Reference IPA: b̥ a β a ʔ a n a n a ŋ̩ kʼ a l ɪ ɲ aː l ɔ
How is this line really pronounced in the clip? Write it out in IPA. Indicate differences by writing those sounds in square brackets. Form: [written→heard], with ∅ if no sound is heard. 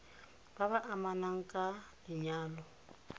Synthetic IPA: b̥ a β a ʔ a [n→m] a n a ŋ̩ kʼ a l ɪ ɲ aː l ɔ